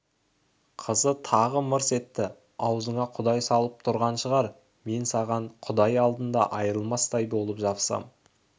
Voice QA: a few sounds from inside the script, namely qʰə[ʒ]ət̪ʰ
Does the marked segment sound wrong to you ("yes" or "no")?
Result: yes